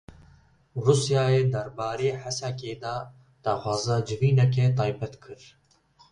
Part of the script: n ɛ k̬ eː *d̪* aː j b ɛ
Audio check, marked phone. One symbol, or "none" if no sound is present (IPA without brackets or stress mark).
t̪